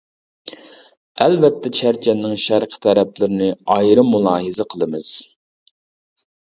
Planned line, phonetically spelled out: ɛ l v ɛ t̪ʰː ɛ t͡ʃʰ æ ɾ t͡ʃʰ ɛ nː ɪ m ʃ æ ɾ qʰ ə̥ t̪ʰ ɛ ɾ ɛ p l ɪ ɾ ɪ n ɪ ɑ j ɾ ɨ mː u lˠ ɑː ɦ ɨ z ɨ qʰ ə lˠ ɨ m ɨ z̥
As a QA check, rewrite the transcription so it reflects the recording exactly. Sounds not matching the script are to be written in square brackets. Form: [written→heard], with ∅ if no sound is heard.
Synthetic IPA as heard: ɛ l v ɛ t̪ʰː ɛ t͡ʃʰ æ ɾ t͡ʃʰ ɛ nː ɪ [m→ŋ] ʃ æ ɾ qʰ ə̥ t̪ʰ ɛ ɾ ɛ p l ɪ ɾ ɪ n ɪ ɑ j ɾ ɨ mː u lˠ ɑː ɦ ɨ z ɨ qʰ ə lˠ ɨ m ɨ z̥